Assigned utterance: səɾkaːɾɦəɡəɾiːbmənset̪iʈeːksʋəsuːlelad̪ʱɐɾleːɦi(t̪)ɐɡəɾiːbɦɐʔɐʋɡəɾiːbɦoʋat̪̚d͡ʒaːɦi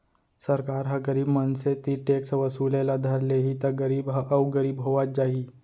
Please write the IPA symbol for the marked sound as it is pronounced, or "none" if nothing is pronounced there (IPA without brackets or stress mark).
t̪